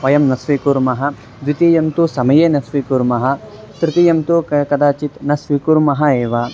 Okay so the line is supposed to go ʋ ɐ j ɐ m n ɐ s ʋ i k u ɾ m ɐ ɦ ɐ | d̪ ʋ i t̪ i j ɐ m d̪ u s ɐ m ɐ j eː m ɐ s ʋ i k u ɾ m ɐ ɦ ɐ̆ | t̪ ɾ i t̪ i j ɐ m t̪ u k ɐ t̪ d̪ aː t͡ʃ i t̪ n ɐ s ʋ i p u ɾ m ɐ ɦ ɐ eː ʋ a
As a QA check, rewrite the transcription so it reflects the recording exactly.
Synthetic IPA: ʋ ɐ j ɐ m n ɐ s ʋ i k u ɾ m ɐ ɦ ɐ | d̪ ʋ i t̪ i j ɐ m t̪ u s ɐ m ɐ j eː n ɐ s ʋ i k u ɾ m ɐ ɦ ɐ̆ | t̪ ɾ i t̪ i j ɐ m t̪ u k ɐ d̪ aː t͡ʃ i t̪ n ɐ s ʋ i k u ɾ m ɐ ɦ ɐ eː ʋ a

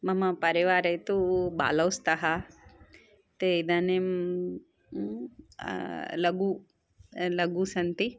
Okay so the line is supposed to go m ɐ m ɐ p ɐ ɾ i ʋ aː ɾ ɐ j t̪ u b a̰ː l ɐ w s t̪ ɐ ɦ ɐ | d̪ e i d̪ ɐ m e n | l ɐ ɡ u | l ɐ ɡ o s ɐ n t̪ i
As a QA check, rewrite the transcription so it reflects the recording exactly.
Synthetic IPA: m ɐ m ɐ p ɐ ɾ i ʋ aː ɾ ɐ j t̪ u b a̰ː l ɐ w s t̪ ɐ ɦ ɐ | t̪ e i d̪ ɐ n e m | l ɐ ɡ u | l ɐ ɡ u s ɐ n t̪ i

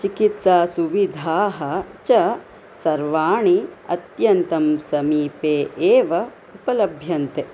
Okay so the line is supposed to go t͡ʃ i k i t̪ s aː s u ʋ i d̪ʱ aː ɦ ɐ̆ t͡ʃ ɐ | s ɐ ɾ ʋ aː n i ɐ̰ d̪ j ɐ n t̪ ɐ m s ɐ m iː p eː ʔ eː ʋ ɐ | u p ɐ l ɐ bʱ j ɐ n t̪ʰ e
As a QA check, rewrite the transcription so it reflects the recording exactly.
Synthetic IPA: t͡ʃ i k i t̪ s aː s u ʋ i d̪ʱ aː ɦ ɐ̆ t͡ʃ ɐ | s ɐ ɾ ʋ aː ɳ i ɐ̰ t̪ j ɐ n t̪ ɐ m s ɐ m iː p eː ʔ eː ʋ ɐ | u p ɐ l ɐ bʱ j ɐ n t̪ e

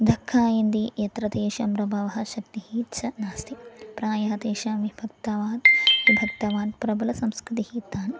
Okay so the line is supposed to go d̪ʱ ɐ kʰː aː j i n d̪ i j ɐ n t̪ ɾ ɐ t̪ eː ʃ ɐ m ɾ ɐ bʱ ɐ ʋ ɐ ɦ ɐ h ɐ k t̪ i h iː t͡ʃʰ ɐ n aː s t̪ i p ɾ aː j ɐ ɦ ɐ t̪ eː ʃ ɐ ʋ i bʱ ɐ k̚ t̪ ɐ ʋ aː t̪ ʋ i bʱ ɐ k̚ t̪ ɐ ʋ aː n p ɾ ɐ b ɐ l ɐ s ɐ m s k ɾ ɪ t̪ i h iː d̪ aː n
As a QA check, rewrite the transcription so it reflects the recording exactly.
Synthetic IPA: d̪ʱ ɐ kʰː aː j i n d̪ i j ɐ t̪ ɾ ɐ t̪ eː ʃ ɐ m ɾ ɐ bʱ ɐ ʋ ɐ ɦ ɐ ʃ ɐ k t̪ i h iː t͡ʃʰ ɐ n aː s t̪ i p ɾ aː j ɐ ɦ ɐ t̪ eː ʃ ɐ ʋ i bʱ ɐ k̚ t̪ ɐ ʋ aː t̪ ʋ i bʱ ɐ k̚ t̪ ɐ ʋ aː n p ɾ ɐ b ɐ l ɐ s ɐ m s k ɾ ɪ t̪ i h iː t̪ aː n

